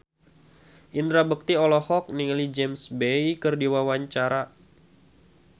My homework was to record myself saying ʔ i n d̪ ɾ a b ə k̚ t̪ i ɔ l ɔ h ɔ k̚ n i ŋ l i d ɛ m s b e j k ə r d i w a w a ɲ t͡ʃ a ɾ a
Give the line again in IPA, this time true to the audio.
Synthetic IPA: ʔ i n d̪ ɾ a b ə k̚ t̪ i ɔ l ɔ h ɔ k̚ n i ŋ l i d͡ʒ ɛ m s b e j k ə r d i w a w a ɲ t͡ʃ a ɾ a